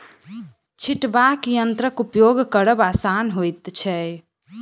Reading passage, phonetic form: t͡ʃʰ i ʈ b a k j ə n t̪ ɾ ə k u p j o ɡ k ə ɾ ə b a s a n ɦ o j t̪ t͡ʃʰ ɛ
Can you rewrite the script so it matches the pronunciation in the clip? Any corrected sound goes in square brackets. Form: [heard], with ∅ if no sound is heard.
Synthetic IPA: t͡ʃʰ i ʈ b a k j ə n t̪ ɾ ə k u p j o ɡ k ə ɾ ə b a s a n ɦ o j t̪ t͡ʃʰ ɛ